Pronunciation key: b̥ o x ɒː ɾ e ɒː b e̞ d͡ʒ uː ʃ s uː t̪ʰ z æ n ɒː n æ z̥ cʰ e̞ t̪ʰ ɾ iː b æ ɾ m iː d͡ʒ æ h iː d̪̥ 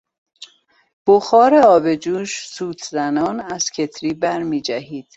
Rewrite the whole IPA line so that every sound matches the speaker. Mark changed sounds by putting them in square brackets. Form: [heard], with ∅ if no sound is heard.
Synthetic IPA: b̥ o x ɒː ɾ e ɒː b e̞ d͡ʒ uː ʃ s uː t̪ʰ z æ n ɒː n æ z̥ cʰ e̞ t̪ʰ ɾ iː b æ ɾ m iː d͡ʒ æ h iː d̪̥